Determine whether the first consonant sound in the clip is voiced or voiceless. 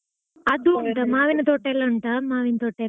voiced